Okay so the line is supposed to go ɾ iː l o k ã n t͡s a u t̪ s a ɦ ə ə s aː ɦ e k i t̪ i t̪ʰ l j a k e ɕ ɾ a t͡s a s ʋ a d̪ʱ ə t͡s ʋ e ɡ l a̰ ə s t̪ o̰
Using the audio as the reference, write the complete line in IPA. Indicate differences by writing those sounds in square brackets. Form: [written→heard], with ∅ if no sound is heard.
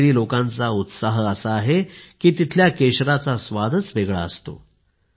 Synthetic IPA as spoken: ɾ iː l o k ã n t͡s a u t̪ s a ɦ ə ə s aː ɦ e k [i→iː] t̪ i t̪ʰ l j a k e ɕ ɾ a t͡s a s ʋ a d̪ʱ ə t͡s ʋ e ɡ [l→ɭ] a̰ ə s t̪ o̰